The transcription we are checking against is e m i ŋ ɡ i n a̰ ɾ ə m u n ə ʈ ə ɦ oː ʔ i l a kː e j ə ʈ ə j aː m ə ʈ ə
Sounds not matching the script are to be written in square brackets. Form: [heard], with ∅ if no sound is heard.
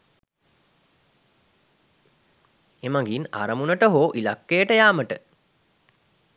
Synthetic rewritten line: e m [a] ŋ ɡ i n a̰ ɾ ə m u n ə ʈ ə ɦ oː ʔ i l a kː e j ə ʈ ə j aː m ə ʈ ə